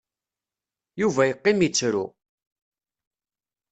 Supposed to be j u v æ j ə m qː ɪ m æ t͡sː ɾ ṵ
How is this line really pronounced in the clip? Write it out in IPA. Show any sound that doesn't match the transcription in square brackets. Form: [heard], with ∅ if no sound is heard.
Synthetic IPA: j u v æ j ə [∅] qː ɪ m [i] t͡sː ɾ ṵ